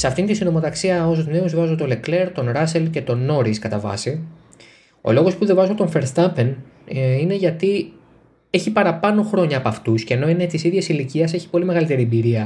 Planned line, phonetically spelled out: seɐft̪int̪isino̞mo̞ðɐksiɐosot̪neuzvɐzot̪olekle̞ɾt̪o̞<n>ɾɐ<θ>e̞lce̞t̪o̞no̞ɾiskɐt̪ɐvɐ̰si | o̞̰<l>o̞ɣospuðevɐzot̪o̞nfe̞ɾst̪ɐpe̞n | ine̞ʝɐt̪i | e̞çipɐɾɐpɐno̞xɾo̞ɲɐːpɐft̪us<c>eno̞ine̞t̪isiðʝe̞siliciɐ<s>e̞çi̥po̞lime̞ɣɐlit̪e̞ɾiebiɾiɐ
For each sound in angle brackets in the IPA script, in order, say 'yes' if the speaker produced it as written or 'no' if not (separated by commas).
yes, no, yes, yes, yes